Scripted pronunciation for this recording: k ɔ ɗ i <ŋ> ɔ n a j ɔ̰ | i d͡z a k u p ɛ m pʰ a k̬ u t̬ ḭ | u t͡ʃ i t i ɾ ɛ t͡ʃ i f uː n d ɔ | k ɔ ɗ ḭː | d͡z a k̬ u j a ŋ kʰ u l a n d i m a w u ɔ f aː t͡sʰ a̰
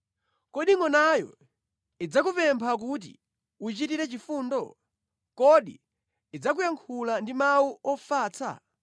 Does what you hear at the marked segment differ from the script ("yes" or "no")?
no